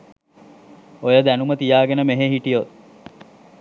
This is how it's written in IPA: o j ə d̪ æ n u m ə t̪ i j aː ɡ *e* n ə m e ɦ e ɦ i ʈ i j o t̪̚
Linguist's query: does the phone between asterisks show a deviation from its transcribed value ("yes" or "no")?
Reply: no